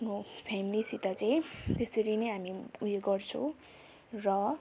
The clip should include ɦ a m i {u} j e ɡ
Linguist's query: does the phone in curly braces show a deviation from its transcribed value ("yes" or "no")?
no